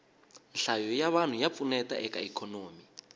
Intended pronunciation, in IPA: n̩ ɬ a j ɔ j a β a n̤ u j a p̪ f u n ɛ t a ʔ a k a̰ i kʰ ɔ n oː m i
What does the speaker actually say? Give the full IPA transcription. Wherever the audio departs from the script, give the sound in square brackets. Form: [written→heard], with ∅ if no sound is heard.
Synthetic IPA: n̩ ɬ a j ɔ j a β a n̤ u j a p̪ f u n ɛ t a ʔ [a→ɛ] k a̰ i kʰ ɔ n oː m i